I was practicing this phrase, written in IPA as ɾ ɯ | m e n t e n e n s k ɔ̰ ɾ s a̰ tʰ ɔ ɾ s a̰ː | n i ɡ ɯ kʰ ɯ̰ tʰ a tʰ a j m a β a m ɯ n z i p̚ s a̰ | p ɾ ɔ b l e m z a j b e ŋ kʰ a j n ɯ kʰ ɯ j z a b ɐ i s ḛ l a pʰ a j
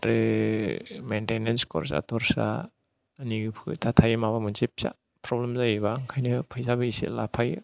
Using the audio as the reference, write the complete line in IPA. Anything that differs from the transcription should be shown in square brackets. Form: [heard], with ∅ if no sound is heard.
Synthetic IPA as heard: ɾ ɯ | m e n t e n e n s k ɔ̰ ɾ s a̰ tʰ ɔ ɾ s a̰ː | n i ɡ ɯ [pʰ] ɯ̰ tʰ a tʰ a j m a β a m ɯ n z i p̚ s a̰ | p ɾ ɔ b l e m z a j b [a] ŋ kʰ a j n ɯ [pʰ] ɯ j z a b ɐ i s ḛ l a pʰ a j

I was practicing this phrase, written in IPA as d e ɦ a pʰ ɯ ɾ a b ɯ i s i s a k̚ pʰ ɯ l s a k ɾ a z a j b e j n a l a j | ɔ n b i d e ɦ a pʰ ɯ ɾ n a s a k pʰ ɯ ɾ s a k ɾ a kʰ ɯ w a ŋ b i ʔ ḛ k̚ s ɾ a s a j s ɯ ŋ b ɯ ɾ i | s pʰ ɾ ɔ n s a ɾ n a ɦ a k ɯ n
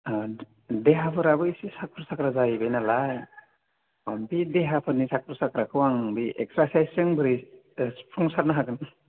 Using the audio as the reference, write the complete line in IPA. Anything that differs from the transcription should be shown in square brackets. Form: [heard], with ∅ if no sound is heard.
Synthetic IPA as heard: d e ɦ a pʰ ɯ ɾ a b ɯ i s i s a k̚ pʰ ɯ [ɾ] s a k ɾ a z a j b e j n a l a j | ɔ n b i d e ɦ a pʰ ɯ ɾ n [i] s a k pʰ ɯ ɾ s a k ɾ a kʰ ɯ w a ŋ b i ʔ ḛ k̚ s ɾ a s a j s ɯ ŋ b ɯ ɾ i | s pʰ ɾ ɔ [ŋ] s a ɾ n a ɦ a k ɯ n

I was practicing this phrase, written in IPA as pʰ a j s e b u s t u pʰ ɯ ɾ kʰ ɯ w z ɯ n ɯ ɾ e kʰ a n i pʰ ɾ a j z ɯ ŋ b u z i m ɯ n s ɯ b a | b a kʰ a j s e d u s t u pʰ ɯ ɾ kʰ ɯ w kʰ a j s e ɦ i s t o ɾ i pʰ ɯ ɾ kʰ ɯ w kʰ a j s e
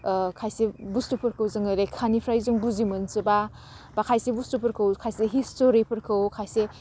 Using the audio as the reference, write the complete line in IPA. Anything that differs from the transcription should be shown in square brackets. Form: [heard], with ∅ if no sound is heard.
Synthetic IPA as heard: [kʰ] a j s e b u s t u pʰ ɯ ɾ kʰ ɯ w z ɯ [ŋ] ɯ ɾ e kʰ a n i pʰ ɾ a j z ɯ ŋ b u z i m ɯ n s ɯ b a | b a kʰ a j s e [b] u s t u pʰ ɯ ɾ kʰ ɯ w kʰ a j s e ɦ i s t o ɾ i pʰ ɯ ɾ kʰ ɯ w kʰ a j s e

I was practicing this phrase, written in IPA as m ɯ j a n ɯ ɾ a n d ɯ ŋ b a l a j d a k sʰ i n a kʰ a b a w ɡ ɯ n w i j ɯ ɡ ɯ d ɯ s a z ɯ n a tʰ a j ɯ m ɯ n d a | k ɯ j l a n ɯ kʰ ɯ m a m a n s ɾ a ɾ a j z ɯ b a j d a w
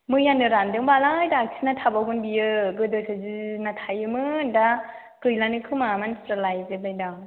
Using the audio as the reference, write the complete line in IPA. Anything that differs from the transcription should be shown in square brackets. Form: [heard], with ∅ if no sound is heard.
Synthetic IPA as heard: m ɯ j a n ɯ ɾ a n d ɯ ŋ b a l a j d a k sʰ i n a [tʰ] a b a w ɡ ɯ n [b] i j ɯ ɡ ɯ d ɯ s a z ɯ n a tʰ a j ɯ m ɯ n d a | k ɯ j l a n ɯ kʰ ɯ m a m a n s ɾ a [l] a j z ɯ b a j d a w

